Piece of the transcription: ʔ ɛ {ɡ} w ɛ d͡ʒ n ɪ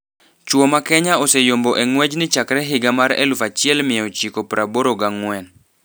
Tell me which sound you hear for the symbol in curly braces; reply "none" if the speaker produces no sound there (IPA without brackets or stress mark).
ŋ